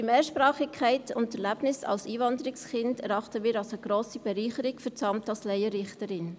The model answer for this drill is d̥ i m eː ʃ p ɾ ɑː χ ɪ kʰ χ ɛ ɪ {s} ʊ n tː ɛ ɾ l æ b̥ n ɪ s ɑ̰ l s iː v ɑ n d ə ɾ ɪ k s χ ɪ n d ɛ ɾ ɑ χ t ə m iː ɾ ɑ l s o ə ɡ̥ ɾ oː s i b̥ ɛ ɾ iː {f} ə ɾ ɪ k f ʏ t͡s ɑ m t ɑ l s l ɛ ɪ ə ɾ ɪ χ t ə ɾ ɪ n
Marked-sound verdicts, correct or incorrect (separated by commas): incorrect, incorrect